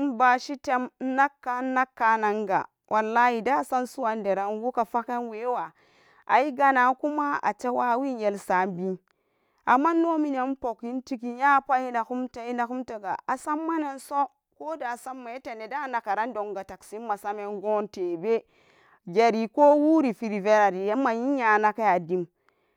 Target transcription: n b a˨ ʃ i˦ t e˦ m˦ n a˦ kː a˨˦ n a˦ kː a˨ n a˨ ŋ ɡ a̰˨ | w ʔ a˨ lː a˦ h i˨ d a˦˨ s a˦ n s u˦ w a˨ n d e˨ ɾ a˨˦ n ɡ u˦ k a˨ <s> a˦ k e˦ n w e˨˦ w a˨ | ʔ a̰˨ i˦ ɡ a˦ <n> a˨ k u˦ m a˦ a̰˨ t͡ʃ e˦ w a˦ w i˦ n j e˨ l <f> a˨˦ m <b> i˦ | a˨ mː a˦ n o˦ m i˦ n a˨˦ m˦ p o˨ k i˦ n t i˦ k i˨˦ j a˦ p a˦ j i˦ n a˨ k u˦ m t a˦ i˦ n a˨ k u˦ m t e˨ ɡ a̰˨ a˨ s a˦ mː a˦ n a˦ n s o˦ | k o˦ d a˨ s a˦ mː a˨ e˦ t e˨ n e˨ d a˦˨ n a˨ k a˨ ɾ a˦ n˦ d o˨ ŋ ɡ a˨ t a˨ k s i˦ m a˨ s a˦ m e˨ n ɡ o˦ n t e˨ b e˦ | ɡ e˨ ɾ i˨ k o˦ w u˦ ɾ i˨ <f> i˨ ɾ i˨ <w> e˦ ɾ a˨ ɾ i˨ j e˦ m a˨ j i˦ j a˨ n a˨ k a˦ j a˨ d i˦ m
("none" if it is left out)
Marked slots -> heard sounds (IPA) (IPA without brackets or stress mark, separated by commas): f, n, s, b, f, v